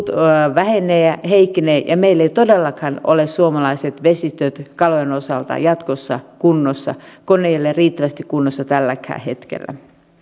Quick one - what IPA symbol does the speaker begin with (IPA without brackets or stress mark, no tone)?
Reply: t̪